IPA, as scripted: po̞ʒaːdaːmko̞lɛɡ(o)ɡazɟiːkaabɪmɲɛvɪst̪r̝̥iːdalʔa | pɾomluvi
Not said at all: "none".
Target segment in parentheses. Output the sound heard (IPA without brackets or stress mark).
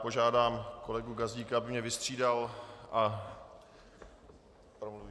u